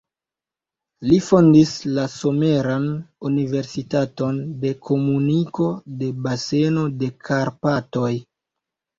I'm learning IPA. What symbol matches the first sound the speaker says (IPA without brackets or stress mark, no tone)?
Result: l